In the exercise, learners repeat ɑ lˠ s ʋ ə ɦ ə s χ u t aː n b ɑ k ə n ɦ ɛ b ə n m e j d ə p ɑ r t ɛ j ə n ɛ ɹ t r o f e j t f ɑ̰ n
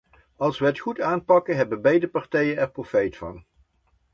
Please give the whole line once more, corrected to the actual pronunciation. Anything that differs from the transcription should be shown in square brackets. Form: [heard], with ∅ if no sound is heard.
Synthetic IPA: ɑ lˠ s ʋ ə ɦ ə [t] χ u t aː n [p] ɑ k ə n ɦ ɛ b ə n [b] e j d ə p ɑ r t ɛ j ə n ɛ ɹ [p] r o f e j t f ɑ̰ n